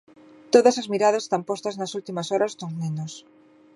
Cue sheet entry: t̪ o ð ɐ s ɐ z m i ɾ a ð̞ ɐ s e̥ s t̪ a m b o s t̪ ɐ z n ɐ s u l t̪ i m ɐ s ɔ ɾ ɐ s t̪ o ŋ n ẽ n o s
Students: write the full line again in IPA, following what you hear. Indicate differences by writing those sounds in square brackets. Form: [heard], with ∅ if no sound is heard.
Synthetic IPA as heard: t̪ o ð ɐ s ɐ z m i ɾ a ð̞ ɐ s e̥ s t̪ a m [p] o s t̪ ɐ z n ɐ s u l t̪ i m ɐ s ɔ ɾ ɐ s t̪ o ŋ n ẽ n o s